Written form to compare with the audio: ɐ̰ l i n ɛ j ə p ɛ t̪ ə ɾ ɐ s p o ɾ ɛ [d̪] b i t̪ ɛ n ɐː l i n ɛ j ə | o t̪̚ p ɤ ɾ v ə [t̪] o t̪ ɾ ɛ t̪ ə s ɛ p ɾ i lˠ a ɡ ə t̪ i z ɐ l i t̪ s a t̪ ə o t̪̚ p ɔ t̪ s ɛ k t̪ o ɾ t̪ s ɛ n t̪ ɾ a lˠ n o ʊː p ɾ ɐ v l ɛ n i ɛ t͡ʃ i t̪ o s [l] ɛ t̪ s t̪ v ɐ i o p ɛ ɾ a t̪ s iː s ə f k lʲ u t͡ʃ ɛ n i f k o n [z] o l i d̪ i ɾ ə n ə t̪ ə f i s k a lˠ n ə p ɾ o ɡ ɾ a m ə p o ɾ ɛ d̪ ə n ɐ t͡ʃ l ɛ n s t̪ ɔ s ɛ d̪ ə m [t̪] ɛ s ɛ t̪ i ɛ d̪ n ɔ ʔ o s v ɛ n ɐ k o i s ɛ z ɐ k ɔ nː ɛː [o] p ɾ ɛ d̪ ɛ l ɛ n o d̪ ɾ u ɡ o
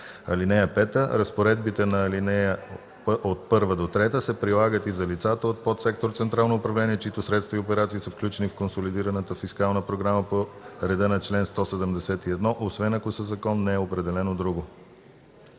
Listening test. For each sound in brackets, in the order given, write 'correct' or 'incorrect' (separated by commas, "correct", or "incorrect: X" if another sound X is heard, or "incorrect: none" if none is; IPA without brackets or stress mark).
correct, incorrect: d̪, incorrect: ɾ, incorrect: s, incorrect: d̪, correct